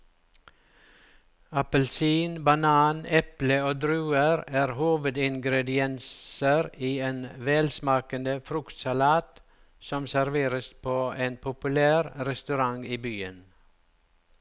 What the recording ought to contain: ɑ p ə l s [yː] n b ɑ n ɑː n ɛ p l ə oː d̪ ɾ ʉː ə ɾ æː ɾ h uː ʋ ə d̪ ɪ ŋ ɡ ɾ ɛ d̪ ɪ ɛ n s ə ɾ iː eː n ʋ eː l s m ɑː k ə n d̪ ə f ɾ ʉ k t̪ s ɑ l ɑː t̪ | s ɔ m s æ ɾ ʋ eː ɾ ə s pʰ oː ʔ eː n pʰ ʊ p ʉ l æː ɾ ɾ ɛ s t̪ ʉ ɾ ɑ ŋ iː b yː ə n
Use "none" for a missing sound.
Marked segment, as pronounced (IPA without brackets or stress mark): iː